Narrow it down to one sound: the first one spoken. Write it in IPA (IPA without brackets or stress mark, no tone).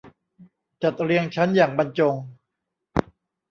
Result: t͡ɕ